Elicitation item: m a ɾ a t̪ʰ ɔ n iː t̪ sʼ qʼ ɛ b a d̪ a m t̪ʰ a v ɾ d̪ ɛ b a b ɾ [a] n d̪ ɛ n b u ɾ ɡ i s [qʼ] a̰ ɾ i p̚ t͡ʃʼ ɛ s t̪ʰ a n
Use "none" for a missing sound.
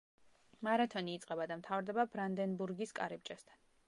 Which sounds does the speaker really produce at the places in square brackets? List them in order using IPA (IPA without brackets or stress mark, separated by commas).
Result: a, kʼ